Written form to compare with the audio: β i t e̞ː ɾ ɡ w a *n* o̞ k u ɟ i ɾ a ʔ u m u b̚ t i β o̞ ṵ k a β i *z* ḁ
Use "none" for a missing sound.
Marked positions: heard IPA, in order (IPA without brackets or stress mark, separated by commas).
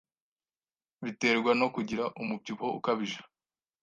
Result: n, ʒ